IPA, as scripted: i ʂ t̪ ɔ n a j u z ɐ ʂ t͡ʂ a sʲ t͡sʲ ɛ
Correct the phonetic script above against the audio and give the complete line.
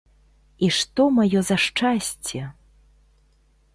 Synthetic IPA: i ʂ t̪ ɔ m a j ɔ z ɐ ʂ t͡ʂ a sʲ t͡sʲ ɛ